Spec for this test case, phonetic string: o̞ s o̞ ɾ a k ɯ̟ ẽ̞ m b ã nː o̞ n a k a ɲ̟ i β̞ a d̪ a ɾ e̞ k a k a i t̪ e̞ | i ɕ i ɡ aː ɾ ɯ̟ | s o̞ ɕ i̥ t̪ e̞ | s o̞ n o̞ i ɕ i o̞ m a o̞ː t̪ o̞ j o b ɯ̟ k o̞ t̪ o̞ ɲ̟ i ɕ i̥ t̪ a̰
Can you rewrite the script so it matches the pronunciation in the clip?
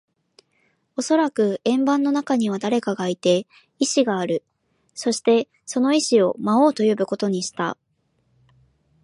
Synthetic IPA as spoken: o̞ s o̞ ɾ a k ɯ̟ ẽ̞ m b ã nː o̞ n a k a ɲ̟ i β̞ a d̪ a ɾ e̞ k a ɡ a i t̪ e̞ | i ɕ i ɡ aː ɾ ɯ̟ | s o̞ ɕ i̥ t̪ e̞ | s o̞ n o̞ i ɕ i o̞ m a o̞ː t̪ o̞ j o b ɯ̟ k o̞ t̪ o̞ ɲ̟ i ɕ i̥ t̪ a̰